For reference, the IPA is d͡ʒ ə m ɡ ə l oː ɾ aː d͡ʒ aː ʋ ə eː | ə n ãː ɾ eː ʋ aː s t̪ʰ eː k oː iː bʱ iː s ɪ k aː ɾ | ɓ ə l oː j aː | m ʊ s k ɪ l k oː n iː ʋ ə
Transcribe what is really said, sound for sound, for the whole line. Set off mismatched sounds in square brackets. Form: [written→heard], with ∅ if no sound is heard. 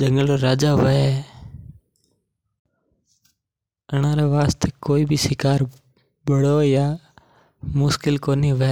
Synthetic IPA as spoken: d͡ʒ ə [m→ŋ] ɡ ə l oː ɾ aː d͡ʒ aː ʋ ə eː | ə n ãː ɾ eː ʋ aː s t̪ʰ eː k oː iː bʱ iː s ɪ k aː ɾ | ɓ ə [l→ɽ] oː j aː | m ʊ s k ɪ l k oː n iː ʋ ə